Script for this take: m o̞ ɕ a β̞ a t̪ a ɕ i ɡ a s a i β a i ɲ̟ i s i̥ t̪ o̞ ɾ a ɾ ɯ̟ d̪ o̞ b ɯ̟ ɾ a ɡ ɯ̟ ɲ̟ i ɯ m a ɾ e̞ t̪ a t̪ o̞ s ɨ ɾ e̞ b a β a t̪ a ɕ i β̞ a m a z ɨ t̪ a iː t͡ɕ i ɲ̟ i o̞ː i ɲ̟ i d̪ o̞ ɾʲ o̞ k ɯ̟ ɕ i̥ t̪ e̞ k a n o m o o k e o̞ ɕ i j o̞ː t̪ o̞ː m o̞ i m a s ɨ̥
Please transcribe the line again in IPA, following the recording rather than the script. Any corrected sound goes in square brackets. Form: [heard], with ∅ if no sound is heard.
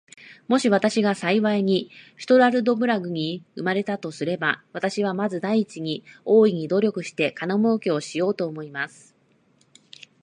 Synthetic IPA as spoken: m o̞ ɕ [i] β̞ a t̪ a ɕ i ɡ a s a i β a i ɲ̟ i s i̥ t̪ o̞ ɾ a ɾ ɯ̟ d̪ o̞ b ɯ̟ ɾ a ɡ ɯ̟ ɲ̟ i ɯ m a ɾ e̞ t̪ a t̪ o̞ s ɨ ɾ e̞ b a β a t̪ a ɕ i β̞ a m a z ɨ [d̪] a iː t͡ɕ i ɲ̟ i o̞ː i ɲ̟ i d̪ o̞ ɾʲ o̞ k ɯ̟ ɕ i̥ t̪ e̞ k a n o m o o k e o̞ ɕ i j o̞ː t̪ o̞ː m o̞ i m a s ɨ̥